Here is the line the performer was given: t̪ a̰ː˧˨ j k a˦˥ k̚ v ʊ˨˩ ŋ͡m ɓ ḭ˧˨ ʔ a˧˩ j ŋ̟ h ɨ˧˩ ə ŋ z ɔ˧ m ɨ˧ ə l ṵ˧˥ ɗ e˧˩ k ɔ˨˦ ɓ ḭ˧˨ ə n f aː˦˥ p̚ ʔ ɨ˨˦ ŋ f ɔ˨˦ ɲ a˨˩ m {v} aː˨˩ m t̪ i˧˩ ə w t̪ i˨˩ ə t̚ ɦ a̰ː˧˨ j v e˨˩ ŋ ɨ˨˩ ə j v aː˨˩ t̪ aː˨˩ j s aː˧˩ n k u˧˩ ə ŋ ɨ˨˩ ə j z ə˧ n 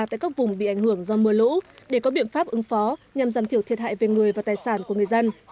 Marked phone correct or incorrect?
incorrect